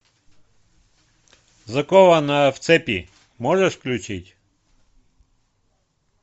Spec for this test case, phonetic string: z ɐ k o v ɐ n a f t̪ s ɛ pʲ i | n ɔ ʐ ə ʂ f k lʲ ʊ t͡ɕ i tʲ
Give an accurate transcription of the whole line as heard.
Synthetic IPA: z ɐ k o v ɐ n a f t̪ s ɛ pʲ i | m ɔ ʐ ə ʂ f k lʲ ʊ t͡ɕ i tʲ